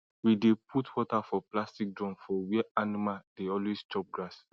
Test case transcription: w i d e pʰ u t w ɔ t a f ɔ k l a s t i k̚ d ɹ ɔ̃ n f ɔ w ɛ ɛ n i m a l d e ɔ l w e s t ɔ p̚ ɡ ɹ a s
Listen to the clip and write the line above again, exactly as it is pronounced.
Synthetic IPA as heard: w i d e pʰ u t w ɔ t a f ɔ p l a s t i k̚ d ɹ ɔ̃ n f ɔ w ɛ a n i m a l d e ɔ l w e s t ɔ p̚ ɡ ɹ a s